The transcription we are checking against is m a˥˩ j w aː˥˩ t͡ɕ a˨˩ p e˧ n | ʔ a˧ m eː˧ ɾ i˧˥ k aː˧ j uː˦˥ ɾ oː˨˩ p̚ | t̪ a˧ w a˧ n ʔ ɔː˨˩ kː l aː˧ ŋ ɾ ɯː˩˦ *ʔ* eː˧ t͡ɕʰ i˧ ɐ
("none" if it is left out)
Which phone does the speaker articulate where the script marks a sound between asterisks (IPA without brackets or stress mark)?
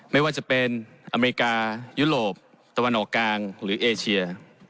ʔ